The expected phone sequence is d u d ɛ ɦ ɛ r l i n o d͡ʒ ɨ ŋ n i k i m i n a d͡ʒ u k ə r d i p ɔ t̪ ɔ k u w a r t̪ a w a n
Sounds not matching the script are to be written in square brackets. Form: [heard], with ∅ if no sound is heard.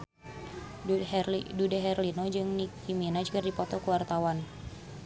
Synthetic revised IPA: d u d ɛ ɦ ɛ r l i n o d͡ʒ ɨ ŋ n i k i m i n a d͡ʒ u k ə r d i p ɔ t̪ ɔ k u w a r t̪ a w a n